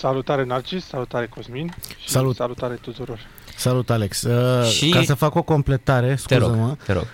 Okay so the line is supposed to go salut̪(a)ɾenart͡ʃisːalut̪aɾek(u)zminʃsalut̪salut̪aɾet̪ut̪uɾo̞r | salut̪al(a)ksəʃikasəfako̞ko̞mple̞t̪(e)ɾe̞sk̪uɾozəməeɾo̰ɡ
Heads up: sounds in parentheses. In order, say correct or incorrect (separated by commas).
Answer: correct, incorrect, incorrect, incorrect